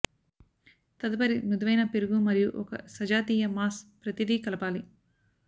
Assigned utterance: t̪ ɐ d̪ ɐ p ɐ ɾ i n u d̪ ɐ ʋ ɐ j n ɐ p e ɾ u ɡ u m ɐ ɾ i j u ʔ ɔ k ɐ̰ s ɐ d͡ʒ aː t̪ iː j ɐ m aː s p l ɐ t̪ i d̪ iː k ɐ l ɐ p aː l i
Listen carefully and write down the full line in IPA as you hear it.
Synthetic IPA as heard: t̪ ɐ d̪ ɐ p ɐ ɾ i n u d̪ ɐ ʋ ɐ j n ɐ p e ɾ u ɡ u m ɐ ɾ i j u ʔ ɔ k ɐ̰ s ɐ d͡ʒ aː t̪ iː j ɐ m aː s p ɾ ɐ t̪ i d̪ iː k ɐ l ɐ p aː l i